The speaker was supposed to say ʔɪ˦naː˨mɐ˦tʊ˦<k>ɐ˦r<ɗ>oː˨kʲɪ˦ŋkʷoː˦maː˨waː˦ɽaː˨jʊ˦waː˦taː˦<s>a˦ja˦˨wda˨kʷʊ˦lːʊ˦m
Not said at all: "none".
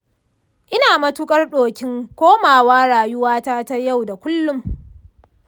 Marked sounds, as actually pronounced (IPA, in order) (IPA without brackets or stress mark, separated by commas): kʼ, ɗ, t